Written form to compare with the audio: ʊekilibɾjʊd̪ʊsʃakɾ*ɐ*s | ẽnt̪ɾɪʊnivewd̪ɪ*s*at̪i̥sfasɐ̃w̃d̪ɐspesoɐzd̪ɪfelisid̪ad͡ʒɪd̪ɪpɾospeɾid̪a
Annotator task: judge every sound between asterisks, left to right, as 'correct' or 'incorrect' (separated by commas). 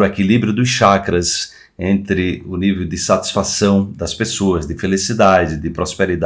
correct, correct